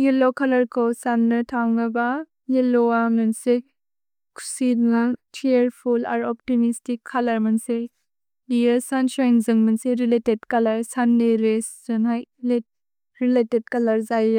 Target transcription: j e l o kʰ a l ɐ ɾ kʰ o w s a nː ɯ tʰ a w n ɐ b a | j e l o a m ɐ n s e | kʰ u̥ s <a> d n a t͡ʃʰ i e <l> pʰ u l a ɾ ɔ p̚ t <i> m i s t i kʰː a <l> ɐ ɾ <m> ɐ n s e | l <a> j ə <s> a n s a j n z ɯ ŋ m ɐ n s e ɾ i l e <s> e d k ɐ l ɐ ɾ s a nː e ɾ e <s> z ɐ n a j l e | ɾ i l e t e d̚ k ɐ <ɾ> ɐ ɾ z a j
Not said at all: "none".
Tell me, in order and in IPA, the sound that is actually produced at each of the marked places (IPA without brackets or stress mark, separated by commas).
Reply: i, ɾ, i, l, m, i, s, t, s, l